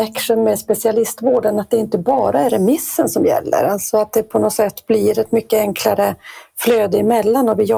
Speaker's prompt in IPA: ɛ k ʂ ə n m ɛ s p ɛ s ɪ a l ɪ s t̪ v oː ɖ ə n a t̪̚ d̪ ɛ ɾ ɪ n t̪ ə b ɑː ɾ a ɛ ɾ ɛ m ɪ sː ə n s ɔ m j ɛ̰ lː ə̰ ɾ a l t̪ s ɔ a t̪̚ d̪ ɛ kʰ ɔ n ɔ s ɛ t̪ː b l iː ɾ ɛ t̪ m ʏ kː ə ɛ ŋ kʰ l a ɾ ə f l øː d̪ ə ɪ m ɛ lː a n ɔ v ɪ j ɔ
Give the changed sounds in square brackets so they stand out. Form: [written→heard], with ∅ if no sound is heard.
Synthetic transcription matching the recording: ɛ k ʂ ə n m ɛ s p ɛ s ɪ a l ɪ s t̪ v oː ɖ ə n a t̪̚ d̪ ɛ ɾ ɪ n t̪ ə b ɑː ɾ a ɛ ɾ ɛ m ɪ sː ə n s ɔ m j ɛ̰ lː ə̰ ɾ a l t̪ s ɔ a t̪̚ d̪ ɛ [kʰ→pʰ] ɔ n ɔ s ɛ t̪ː b l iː ɾ ɛ t̪ m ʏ kː ə ɛ ŋ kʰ l a ɾ ə f l øː d̪ ə ɪ m ɛ lː a n ɔ v ɪ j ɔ